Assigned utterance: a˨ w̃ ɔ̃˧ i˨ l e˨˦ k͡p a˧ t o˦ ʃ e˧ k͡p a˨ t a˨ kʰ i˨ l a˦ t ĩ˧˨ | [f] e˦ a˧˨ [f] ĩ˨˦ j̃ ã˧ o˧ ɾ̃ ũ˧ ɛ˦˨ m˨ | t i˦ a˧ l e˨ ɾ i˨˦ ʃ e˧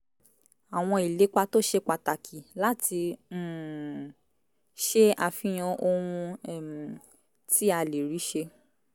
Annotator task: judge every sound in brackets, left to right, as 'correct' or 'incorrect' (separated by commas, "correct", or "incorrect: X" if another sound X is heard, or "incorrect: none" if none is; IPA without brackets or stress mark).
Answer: incorrect: ʃ, correct